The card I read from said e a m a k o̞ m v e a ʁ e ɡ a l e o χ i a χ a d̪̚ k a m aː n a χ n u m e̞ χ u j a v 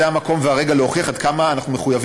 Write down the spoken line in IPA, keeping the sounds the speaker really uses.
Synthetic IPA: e a m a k o̞ m v e a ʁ e ɡ a l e o χ i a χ a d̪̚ k a m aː n a χ n u m e̞ χ u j a v